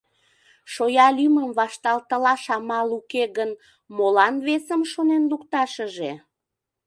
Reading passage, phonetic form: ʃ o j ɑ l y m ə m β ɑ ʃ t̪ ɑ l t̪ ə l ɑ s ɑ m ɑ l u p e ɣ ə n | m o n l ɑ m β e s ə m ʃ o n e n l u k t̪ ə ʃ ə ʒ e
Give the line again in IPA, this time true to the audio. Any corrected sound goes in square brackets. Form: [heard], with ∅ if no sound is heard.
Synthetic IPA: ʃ o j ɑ l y m ə m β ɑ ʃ t̪ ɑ l t̪ ə l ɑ [ʃ] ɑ m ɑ l u [k] e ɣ ə n | m o [∅] l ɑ [n] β e s ə m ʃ o n e n l u k t̪ [ɑ] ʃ ə ʒ e